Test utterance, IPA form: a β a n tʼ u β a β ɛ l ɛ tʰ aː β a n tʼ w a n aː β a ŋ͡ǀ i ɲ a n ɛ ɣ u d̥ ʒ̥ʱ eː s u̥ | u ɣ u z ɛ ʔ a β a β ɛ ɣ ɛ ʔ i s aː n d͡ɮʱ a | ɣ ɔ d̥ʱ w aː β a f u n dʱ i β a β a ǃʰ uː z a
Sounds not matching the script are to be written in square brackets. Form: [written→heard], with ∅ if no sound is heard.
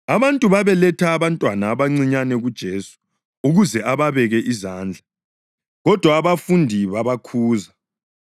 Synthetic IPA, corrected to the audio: a β a n tʼ u β a β ɛ l ɛ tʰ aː β a n tʼ w a n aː β a ŋ͡ǀ i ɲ a n ɛ ɣ u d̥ ʒ̥ʱ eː s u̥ | u ɣ u z ɛ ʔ a β a β ɛ ɣ ɛ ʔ i [s→z] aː n d͡ɮʱ a | ɣ ɔ d̥ʱ w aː β a f u n dʱ i β a β a [ǃʰ→kʰ] uː z a

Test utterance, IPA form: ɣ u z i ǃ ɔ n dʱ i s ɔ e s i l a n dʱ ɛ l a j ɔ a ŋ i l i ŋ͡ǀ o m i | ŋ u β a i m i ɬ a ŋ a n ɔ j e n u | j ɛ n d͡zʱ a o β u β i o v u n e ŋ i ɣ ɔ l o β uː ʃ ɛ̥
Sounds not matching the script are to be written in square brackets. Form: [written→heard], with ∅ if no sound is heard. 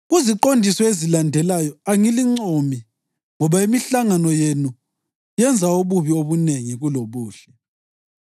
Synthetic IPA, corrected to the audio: ɣ u z i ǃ [ɔ→o] n dʱ i s ɔ e [s→z] i l a n dʱ ɛ l a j ɔ a ŋ i l i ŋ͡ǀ o m i | ŋ [u→ɔ] β a i m i ɬ a ŋ a n ɔ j e n u | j ɛ n d͡zʱ a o β u β i o [v→β] u n e ŋ i ɣ [ɔ→u] l o β uː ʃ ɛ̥

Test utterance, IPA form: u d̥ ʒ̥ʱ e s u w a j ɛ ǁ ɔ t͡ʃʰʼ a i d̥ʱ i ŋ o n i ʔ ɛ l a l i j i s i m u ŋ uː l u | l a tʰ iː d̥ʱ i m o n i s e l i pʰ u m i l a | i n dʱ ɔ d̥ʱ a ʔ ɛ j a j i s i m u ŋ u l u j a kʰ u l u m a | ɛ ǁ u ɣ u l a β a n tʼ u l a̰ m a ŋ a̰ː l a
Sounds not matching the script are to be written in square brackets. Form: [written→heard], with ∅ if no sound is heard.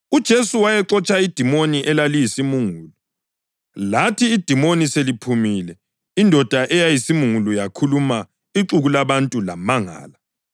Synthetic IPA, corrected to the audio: u d̥ ʒ̥ʱ e s u w a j ɛ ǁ ɔ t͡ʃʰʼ a i d̥ʱ i [ŋ→m] o n i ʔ ɛ l a l i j i s i m u ŋ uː l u | l a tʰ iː d̥ʱ i m o n i s e l i pʰ u m i l [a→ɛ] | i n dʱ ɔ d̥ʱ a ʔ ɛ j a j i s i m u ŋ u l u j a kʰ u l u m a | [ɛ→i] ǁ u ɣ u l a β a n tʼ u l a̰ m a ŋ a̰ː l a

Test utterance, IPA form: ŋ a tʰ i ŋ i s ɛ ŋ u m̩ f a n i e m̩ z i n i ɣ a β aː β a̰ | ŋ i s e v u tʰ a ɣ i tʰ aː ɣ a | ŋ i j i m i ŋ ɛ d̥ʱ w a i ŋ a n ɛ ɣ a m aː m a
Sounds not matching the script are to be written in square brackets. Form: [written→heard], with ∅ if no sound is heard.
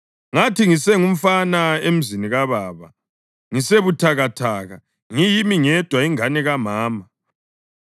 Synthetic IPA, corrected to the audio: ŋ a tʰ i ŋ i s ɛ ŋ u m̩ f a n [i→a] e m̩ z i n i ɣ a β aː β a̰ | ŋ i s e [v→β] u tʰ a ɣ [i→a] tʰ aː ɣ a | ŋ i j i m i ŋ ɛ d̥ʱ w a i ŋ a n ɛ ɣ a m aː m a

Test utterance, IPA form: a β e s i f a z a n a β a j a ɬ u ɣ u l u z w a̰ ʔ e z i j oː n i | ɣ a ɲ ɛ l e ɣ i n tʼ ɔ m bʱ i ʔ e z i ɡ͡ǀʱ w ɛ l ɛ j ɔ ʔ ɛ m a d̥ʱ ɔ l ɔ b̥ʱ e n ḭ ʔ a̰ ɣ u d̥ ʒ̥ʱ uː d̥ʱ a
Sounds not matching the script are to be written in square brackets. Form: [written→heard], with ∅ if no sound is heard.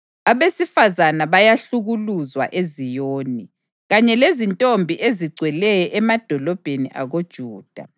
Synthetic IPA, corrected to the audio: a β e s i f a z a n a β a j a ɬ u ɣ u l u z w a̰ ʔ e z i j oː n i | ɣ a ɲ ɛ l e [ɣ→z] i n tʼ [ɔ→o] m bʱ i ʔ e z i ɡ͡ǀʱ w ɛ l ɛ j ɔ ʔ ɛ m a d̥ʱ ɔ l ɔ b̥ʱ e n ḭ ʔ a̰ ɣ [u→o] d̥ ʒ̥ʱ uː d̥ʱ a

